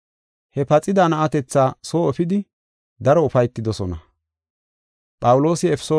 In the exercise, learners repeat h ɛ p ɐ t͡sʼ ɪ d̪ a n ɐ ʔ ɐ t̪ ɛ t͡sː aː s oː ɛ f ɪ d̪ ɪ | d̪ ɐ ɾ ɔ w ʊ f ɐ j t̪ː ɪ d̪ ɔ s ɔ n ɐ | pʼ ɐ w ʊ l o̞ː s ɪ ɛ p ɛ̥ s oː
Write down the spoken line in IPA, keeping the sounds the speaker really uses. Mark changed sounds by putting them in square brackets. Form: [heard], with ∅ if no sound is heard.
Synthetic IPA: h ɛ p ɐ t͡sʼ ɪ d̪ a n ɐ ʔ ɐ t̪ ɛ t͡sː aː s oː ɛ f ɪ d̪ ɪ | d̪ ɐ ɾ ɔ [∅] ʊ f ɐ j t̪ː ɪ d̪ ɔ s ɔ n ɐ | pʼ ɐ w ʊ l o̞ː s ɪ ɛ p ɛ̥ s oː